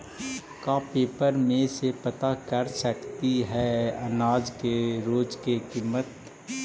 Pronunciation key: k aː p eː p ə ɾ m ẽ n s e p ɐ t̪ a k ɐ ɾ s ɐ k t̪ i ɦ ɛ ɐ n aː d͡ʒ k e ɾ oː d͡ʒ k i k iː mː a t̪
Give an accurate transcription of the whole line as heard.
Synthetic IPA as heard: k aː p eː p ə ɾ m ẽ s e p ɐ t̪ a k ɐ ɾ s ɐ k t̪ i ɦ ɛ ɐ n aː d͡ʒ k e ɾ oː d͡ʒ k e k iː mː ə t̪